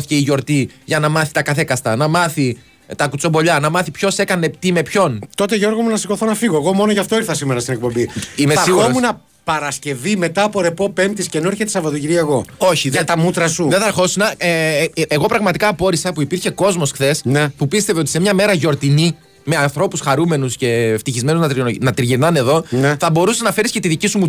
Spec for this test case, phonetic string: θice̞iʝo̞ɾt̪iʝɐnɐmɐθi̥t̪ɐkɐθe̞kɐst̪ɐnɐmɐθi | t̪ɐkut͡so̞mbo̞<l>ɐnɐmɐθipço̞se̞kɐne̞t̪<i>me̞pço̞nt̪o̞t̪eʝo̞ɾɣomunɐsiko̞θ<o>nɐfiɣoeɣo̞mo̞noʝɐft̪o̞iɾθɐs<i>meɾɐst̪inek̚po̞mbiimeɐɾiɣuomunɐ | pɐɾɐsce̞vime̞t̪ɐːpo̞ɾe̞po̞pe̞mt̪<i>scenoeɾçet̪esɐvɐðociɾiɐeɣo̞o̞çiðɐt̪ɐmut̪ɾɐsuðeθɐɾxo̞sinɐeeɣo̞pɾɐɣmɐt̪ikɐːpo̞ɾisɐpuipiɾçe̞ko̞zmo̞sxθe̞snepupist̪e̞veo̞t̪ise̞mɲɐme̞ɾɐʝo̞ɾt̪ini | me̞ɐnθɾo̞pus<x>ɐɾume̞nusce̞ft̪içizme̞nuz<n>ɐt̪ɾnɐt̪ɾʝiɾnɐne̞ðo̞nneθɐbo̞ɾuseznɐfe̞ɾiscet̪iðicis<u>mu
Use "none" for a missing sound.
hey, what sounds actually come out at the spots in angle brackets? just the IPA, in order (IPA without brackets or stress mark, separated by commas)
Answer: ʎ, i, o, i, i, x, n, u